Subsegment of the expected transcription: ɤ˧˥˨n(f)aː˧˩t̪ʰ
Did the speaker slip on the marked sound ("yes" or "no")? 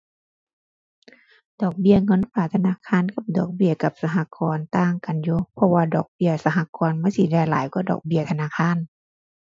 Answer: no